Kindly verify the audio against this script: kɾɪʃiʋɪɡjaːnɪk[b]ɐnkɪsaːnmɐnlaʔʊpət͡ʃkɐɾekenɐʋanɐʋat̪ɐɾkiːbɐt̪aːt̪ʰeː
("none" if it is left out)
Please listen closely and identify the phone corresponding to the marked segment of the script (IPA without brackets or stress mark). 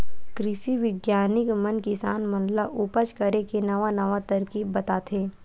m